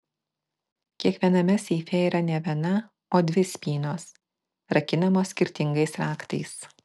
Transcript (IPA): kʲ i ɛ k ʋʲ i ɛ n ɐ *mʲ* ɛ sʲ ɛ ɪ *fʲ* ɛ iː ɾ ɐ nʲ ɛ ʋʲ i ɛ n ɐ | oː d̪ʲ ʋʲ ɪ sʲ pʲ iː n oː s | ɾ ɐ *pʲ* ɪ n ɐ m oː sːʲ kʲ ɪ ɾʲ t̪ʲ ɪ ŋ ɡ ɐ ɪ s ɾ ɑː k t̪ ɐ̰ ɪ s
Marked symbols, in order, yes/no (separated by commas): yes, yes, no